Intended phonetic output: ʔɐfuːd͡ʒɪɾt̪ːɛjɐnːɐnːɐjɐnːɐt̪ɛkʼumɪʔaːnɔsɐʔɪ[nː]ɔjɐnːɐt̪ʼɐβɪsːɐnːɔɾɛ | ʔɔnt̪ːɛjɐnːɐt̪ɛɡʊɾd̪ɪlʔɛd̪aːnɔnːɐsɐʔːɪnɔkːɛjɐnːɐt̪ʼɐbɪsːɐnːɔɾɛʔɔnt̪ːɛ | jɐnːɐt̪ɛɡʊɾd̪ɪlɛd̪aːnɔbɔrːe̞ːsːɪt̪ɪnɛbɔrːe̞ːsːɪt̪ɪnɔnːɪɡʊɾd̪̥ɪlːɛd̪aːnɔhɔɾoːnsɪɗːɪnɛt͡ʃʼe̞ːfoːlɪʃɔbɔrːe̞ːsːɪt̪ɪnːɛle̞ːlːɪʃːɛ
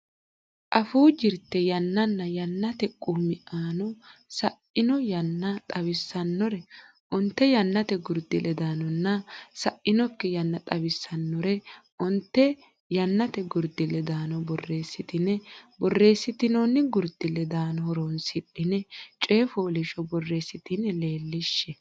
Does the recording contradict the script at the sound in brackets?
yes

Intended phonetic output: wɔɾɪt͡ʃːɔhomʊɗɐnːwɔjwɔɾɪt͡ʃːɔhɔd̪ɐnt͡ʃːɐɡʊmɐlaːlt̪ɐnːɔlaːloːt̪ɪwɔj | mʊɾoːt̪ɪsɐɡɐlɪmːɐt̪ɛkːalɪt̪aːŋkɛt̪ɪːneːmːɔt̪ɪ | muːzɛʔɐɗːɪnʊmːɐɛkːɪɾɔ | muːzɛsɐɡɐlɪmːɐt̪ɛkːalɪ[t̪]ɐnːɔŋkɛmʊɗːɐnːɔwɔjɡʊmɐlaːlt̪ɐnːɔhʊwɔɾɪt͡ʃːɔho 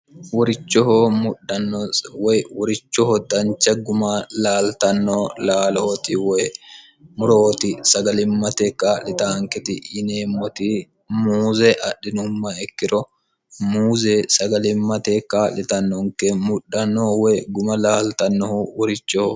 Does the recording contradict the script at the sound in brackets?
no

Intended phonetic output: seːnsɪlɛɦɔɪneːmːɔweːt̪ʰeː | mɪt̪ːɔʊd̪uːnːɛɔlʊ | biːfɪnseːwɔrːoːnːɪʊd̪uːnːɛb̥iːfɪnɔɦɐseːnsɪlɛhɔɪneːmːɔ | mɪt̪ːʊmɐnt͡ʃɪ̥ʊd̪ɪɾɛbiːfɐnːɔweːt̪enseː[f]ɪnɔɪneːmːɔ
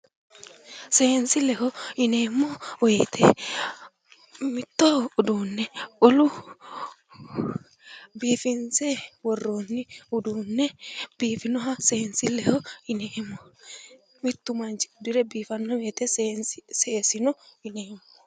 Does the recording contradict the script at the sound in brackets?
yes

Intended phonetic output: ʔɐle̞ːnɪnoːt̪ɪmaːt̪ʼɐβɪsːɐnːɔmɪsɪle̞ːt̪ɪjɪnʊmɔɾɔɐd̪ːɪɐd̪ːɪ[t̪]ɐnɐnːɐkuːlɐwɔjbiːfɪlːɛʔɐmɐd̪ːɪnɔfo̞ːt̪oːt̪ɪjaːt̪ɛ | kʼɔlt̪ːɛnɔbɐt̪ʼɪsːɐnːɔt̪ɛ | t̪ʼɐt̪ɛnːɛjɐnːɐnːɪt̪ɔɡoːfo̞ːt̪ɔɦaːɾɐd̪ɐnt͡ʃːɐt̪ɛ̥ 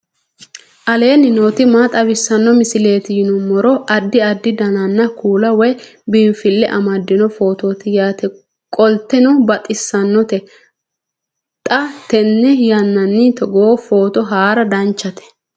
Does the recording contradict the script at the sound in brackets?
yes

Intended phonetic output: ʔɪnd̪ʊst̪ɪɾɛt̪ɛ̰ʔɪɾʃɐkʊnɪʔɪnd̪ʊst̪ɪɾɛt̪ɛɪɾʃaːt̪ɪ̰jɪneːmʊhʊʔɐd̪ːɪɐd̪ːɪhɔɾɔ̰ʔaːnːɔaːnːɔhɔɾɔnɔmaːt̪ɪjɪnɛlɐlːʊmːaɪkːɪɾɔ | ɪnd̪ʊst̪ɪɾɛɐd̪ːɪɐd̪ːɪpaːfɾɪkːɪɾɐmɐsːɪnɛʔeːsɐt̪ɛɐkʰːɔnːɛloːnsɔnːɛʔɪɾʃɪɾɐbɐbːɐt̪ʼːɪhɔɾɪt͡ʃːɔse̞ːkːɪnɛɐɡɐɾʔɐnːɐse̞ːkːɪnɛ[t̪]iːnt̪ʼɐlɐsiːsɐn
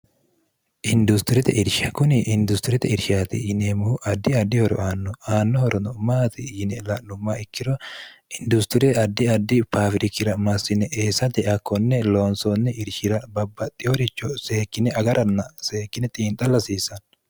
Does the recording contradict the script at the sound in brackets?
yes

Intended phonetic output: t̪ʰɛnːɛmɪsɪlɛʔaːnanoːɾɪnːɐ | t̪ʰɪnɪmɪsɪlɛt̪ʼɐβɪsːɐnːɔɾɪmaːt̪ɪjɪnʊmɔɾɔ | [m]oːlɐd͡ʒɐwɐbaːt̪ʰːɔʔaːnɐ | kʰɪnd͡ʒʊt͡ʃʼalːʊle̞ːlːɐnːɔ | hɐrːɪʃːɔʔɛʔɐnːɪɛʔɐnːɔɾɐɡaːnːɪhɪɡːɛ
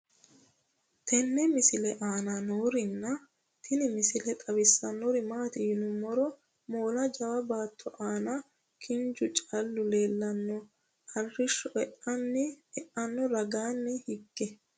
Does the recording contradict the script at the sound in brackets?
no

